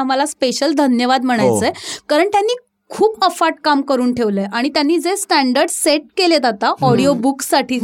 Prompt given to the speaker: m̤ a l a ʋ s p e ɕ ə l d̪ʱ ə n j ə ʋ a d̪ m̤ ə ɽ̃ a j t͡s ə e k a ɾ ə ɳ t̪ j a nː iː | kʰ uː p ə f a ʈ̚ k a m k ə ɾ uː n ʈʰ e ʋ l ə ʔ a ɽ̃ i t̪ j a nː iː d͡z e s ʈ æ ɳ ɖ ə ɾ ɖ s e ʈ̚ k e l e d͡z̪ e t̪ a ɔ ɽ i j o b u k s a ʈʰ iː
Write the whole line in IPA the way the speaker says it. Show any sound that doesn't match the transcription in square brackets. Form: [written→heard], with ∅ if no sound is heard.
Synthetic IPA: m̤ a l a [ʋ→∅] s p e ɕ ə l d̪ʱ ə n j ə ʋ a d̪ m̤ ə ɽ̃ a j t͡s ə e k a ɾ ə ɳ t̪ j a nː iː | kʰ uː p ə f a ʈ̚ k a m k ə ɾ uː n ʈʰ e ʋ l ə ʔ a ɽ̃ i t̪ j a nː iː d͡z e s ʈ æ ɳ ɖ ə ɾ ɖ s e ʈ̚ k e l e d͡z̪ [e→a] t̪ a ɔ ɽ i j o b u k s a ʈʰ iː